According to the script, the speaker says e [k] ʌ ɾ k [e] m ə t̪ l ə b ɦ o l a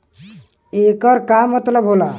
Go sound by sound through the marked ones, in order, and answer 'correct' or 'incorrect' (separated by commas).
correct, incorrect